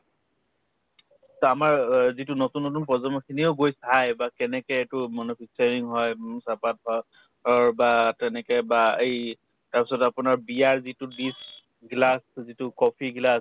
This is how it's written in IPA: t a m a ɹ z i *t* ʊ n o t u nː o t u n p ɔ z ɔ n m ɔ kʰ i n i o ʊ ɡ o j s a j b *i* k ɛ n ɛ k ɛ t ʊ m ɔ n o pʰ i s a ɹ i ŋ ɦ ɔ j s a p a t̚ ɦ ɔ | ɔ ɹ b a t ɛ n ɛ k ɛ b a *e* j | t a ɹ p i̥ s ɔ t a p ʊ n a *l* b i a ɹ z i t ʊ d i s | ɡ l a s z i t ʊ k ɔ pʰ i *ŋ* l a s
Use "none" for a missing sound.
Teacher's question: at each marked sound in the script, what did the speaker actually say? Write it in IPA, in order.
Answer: t, a, e, ɹ, ɡ

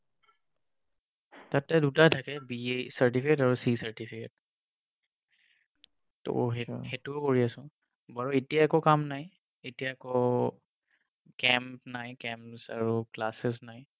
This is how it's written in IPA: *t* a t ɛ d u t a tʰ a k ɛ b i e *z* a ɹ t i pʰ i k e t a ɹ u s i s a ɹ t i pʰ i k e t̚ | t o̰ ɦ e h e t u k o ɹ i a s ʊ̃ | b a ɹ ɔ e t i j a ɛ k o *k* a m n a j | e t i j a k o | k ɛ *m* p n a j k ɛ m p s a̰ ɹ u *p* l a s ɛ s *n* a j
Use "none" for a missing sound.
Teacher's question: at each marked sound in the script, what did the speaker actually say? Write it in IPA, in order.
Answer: t, s, k, m, k, n

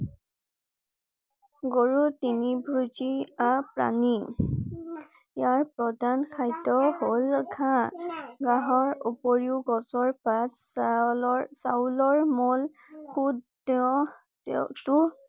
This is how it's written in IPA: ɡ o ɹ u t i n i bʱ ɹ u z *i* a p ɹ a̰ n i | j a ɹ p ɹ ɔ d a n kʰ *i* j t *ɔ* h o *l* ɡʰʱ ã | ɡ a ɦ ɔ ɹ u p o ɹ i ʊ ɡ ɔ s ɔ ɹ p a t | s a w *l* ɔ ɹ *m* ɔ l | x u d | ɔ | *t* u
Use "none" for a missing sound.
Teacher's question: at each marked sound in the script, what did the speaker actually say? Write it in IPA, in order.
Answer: i, a, ɔ, l, l, m, t

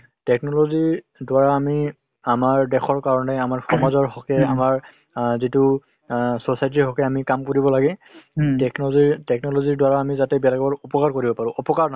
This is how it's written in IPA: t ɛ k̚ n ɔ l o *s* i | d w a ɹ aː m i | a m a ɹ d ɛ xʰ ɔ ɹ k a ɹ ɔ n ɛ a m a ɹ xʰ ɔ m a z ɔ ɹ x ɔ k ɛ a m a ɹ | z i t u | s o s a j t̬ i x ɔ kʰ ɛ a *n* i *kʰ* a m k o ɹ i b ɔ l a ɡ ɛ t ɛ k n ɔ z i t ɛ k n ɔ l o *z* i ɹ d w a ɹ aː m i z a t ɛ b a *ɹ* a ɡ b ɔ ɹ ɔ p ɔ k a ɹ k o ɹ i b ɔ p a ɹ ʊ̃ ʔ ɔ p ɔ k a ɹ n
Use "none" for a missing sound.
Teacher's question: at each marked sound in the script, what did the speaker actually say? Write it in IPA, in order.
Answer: z, m, k, z, l

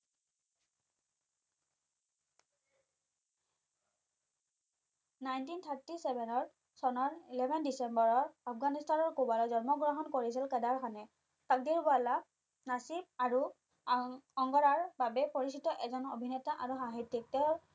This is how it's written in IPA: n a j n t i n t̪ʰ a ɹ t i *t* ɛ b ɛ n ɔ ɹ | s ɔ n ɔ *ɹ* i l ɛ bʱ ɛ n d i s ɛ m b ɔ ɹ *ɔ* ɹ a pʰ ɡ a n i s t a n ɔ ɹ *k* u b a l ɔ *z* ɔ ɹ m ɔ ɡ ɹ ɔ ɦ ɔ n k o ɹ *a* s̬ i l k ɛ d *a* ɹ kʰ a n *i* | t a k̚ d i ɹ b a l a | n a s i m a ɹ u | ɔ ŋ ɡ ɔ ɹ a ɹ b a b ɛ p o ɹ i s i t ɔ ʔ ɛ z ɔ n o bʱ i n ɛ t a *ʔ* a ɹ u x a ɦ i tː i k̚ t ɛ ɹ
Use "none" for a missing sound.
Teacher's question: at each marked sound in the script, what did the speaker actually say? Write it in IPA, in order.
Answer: s, ɹ, ɔ, k, z, i, a, ɛ, ʔ

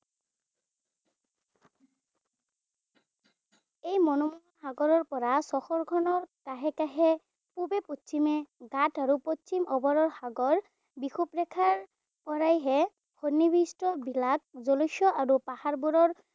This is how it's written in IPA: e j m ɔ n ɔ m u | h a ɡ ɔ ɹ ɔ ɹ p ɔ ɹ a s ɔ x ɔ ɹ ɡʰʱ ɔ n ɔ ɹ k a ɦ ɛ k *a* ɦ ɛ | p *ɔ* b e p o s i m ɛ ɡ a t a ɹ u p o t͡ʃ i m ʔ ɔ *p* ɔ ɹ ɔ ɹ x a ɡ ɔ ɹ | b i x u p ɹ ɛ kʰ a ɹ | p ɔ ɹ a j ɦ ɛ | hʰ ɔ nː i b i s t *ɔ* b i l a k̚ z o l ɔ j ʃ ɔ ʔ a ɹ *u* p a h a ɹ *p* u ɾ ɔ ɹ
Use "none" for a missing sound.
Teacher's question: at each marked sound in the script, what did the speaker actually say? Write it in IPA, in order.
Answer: a, u, b, ɔ, u, b

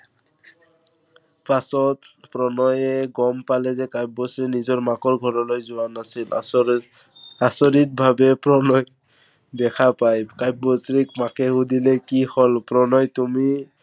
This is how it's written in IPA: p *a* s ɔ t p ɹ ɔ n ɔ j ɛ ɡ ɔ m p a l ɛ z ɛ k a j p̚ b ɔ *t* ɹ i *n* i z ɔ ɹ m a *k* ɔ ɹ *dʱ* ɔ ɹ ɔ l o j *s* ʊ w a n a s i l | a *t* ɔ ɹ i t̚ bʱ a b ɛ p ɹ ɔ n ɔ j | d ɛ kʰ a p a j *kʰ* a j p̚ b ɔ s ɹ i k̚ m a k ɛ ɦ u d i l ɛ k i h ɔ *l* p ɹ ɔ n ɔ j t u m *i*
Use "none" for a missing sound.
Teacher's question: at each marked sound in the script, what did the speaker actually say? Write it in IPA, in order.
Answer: a, s, n, k, ɡʱ, z, s, k, l, i

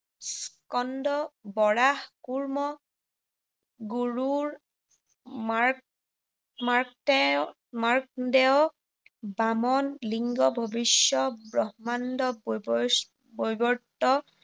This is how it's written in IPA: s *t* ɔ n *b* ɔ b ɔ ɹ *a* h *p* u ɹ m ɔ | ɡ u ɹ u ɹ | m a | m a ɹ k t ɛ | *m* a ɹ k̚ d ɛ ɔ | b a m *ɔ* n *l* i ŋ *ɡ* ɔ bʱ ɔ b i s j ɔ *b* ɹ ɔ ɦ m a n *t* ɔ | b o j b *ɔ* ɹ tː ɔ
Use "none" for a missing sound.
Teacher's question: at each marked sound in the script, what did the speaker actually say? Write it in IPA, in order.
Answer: k, d, a, k, m, ɔ, l, ɡ, b, d, ɔ

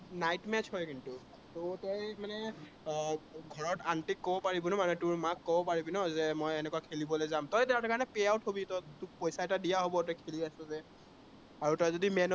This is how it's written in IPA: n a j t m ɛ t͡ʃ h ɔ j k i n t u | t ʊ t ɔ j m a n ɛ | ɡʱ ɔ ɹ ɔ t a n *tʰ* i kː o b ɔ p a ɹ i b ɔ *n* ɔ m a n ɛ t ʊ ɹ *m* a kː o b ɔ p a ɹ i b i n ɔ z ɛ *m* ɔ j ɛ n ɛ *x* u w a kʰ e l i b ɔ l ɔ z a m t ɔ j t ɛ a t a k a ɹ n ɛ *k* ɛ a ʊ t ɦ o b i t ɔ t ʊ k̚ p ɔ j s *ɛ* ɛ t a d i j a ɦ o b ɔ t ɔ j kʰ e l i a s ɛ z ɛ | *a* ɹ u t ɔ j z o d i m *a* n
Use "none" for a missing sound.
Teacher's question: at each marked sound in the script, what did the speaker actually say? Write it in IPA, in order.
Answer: t, n, m, m, k, p, a, a, ɛ

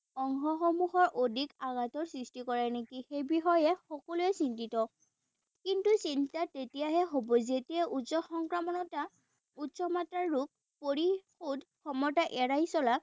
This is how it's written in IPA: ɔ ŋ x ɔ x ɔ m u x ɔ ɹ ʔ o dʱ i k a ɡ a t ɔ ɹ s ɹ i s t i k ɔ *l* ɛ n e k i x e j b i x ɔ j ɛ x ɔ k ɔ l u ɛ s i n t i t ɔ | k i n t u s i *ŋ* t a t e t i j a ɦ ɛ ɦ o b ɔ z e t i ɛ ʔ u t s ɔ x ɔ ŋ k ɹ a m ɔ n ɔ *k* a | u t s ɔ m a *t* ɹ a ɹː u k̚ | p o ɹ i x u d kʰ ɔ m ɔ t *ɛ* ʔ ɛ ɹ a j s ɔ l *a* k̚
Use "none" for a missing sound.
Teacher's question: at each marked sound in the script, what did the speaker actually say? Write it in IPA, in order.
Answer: ɹ, n, t, t, a, a

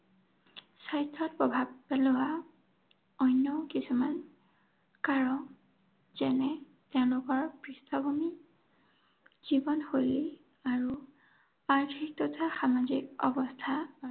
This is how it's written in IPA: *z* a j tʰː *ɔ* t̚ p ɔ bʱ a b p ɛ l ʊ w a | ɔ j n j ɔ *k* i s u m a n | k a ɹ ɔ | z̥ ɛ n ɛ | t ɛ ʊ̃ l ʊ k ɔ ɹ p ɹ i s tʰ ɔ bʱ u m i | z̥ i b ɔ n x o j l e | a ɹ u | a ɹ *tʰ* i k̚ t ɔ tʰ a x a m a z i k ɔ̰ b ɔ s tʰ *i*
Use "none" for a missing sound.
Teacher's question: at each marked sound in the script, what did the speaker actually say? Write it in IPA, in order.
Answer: s, ɔ, k, tʰ, a

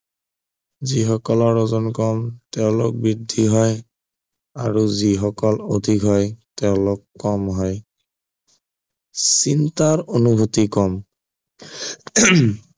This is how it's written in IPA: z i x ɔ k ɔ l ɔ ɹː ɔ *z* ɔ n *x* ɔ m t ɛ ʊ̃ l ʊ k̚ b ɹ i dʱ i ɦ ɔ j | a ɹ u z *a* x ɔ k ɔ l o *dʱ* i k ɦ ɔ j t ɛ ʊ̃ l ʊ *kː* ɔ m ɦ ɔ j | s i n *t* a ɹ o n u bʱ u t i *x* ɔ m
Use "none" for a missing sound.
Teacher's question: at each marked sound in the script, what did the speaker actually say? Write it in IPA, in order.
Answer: z, k, i, dʱ, kː, t, k

